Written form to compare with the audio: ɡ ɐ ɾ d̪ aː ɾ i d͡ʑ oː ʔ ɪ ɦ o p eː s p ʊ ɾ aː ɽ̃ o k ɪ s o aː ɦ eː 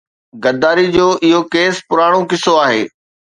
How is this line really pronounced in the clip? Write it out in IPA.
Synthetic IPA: ɡ ɐ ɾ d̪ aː ɾ i d͡ʑ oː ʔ ɪ ɦ o k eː s p ʊ ɾ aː ɽ̃ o k ɪ s o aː ɦ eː